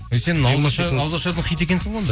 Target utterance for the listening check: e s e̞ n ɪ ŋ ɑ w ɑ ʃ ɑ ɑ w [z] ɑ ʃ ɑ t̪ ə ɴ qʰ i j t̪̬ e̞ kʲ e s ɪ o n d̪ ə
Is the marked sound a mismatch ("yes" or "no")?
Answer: no